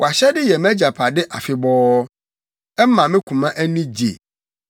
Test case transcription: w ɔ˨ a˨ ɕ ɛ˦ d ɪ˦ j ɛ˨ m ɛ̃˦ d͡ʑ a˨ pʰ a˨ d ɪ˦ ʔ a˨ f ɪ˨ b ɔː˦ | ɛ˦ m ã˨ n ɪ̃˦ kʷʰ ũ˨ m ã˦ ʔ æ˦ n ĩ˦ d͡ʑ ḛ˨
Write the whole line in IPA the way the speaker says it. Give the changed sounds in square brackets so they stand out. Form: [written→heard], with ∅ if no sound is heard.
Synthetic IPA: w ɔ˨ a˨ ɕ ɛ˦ d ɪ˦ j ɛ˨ m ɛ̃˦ d͡ʑ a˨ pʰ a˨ d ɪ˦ ʔ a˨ f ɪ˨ b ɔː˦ | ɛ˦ m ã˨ [n→m] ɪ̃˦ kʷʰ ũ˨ m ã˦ ʔ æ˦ n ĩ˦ d͡ʑ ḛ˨